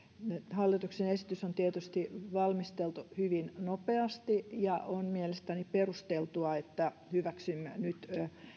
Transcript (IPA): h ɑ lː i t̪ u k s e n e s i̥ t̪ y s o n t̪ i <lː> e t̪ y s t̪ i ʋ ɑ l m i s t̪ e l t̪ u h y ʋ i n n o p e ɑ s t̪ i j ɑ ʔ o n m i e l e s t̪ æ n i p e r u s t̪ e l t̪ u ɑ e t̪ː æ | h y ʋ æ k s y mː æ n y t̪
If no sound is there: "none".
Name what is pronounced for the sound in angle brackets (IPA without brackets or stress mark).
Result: none